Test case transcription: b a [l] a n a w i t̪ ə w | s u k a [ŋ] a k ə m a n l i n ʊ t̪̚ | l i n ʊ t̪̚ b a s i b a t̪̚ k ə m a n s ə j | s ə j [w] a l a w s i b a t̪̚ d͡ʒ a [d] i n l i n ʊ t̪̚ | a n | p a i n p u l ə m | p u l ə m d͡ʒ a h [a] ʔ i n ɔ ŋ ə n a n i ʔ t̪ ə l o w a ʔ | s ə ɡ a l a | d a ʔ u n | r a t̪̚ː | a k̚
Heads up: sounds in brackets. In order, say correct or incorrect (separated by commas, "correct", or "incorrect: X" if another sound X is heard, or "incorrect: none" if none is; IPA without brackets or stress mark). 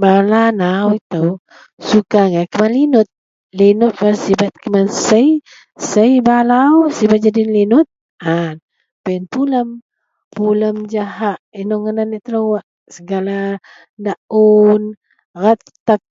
correct, correct, incorrect: b, correct, correct